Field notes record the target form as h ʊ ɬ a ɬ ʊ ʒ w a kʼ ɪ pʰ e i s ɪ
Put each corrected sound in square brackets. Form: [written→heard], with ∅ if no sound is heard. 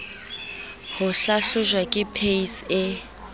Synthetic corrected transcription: h ʊ ɬ a ɬ ʊ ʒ w a kʼ ɪ pʰ e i s ɪ

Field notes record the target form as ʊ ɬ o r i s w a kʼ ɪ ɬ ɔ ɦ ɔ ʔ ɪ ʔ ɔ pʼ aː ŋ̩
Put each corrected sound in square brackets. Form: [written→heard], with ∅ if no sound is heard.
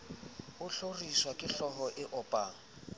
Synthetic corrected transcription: ʊ ɬ o r i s w a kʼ ɪ ɬ ɔ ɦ ɔ ʔ ɪ ʔ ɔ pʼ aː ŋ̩

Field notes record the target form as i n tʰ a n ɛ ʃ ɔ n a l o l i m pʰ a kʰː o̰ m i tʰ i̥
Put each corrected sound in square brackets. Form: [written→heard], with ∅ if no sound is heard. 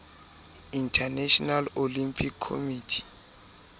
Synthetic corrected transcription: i n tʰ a n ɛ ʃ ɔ n a l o l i m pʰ [a→i] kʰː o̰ m i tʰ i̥

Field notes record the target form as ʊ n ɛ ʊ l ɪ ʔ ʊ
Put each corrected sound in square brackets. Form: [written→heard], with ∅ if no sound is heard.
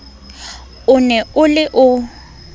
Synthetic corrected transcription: ʊ n ɛ ʊ l ɪ ʔ ʊ

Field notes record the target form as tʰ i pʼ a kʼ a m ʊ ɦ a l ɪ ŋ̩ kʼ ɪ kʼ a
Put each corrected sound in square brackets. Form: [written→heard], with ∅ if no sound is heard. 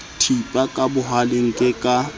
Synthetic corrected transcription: tʰ i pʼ a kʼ a [m→b] ʊ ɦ a l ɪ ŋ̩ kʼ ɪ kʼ a

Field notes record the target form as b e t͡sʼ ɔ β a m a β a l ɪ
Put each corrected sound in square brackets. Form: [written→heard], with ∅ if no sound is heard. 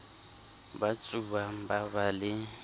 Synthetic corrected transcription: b [e→a] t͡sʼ [ɔ→u] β a [m→b] a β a l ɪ

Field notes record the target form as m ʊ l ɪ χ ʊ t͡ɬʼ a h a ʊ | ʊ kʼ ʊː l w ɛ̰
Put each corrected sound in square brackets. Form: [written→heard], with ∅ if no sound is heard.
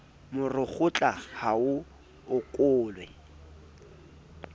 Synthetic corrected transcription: m ʊ [l→r] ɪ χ ʊ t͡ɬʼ a h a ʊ | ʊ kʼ ʊː l w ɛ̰

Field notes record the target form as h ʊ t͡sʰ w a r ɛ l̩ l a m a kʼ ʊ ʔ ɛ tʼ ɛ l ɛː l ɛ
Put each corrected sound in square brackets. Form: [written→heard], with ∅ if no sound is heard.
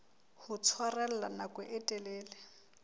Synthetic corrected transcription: h ʊ t͡sʰ w a r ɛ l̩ l a [m→n] a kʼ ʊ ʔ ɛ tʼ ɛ l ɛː l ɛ

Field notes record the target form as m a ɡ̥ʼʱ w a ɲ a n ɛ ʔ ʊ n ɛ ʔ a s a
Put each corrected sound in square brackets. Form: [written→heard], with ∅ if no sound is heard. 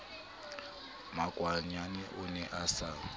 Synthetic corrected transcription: m a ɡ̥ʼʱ w a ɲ a n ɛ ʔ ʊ n ɛ ʔ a s a

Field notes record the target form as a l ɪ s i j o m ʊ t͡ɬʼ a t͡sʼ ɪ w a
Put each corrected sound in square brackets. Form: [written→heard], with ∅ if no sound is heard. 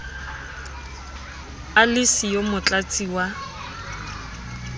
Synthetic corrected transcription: a l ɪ s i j o m ʊ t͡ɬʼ a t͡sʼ [ɪ→i] w a

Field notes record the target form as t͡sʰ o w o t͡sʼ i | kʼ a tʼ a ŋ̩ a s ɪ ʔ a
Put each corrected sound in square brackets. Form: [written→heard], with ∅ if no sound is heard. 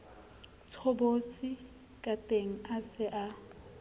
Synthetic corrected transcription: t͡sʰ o [w→b] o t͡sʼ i | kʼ a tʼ [a→e] ŋ̩ a s ɪ ʔ a

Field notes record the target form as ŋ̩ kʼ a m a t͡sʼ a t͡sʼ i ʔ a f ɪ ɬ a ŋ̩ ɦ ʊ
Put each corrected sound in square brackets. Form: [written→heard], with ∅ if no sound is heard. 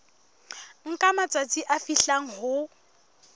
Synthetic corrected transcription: ŋ̩ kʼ a m a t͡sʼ a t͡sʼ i ʔ a f [ɪ→i] ɬ a ŋ̩ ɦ ʊ

